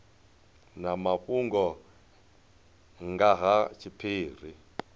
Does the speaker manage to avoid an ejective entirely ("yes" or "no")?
yes